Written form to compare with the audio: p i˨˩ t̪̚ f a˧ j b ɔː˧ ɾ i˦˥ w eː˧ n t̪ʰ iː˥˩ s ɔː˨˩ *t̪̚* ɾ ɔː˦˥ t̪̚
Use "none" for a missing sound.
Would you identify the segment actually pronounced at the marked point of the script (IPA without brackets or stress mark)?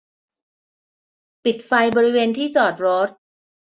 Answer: t̪̚